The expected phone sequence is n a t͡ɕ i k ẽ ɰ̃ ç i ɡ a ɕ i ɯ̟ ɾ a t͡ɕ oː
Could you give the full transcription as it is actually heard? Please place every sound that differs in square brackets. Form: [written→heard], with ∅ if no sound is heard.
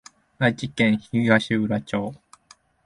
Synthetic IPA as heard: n a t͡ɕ i k ẽ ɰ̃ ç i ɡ a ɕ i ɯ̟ ɾ a t͡ɕ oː